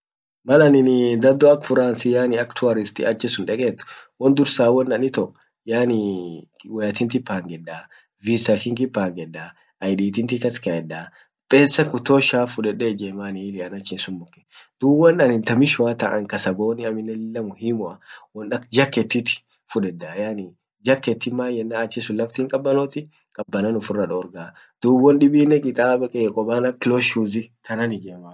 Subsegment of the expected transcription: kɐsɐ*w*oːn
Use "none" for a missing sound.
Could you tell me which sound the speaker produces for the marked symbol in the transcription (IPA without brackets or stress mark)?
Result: b